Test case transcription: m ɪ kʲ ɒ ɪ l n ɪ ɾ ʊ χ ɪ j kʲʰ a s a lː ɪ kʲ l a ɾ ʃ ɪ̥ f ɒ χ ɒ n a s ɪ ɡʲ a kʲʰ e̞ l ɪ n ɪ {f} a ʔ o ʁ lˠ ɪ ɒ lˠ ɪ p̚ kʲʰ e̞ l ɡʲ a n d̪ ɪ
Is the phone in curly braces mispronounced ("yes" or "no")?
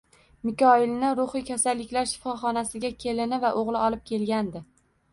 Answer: yes